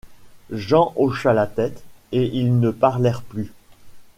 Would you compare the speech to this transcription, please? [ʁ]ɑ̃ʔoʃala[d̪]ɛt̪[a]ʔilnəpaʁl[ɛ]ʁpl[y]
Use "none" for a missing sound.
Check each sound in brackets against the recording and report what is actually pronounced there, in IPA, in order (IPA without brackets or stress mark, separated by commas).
ʒ, t̪, e, ɛ, y